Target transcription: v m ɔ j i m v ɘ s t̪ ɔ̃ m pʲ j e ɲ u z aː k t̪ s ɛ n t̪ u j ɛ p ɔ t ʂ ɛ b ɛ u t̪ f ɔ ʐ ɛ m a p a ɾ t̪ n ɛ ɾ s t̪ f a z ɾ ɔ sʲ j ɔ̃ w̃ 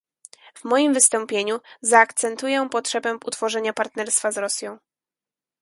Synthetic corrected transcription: v m ɔ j i m v ɘ s t̪ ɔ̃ m pʲ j e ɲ u z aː k t̪ s ɛ n t̪ u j ɛ p ɔ t ʂ ɛ b ɛ u t̪ f ɔ ʐ ɛ ɲ a p a ɾ t̪ n ɛ ɾ s t̪ f a z ɾ ɔ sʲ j ɔ̃ w̃